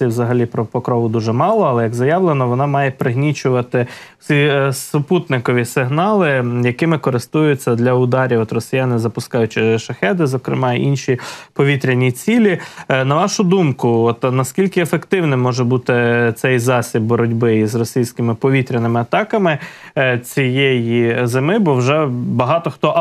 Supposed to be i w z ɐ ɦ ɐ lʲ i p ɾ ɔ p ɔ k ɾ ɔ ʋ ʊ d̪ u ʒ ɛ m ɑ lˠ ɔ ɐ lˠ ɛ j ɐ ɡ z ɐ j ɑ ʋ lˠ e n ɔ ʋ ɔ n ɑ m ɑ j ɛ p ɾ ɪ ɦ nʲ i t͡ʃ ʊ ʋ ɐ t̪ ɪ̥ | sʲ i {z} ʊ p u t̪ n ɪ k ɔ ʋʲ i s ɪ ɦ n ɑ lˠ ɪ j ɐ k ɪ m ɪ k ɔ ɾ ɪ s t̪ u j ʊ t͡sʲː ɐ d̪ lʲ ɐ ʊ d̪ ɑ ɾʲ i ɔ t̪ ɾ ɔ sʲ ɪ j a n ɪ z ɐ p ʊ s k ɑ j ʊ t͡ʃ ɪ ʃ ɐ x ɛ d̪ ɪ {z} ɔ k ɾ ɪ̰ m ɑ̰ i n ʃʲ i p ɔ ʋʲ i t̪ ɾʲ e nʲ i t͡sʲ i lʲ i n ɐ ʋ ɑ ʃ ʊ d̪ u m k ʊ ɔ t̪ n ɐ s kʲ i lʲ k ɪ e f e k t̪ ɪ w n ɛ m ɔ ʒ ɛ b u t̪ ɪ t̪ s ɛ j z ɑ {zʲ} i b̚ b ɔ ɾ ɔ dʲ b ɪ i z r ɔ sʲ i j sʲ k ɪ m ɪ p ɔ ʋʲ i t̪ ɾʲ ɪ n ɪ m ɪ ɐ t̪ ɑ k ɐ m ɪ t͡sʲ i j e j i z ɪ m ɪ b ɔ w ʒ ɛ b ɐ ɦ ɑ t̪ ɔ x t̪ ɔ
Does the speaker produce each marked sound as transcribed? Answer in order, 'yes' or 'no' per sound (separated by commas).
no, yes, no